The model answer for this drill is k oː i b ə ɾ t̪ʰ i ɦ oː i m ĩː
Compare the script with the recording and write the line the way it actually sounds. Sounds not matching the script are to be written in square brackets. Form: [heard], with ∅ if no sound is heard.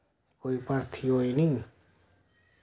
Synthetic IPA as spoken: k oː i [p] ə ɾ t̪ʰ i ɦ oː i [n] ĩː